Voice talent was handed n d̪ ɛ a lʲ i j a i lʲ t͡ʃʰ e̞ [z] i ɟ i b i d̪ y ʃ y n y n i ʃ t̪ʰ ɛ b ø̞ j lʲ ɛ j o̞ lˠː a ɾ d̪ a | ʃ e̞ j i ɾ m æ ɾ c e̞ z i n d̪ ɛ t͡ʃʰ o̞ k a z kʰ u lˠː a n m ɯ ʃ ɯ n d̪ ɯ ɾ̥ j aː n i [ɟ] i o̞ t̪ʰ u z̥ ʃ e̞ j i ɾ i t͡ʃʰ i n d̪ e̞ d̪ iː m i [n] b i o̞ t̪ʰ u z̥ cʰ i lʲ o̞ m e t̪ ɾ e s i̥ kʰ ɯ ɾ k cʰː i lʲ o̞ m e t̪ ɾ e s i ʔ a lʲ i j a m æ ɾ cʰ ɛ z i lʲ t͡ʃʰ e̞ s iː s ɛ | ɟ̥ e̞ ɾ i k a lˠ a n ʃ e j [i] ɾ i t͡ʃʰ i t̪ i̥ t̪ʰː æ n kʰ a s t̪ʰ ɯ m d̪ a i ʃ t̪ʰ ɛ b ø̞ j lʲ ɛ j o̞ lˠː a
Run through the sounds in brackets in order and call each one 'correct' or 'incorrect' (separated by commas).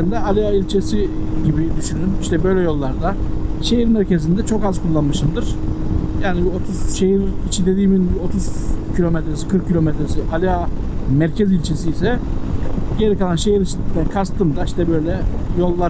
incorrect, incorrect, correct, correct